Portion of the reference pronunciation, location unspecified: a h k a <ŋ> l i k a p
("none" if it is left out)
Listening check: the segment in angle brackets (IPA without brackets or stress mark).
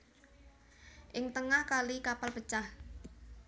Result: none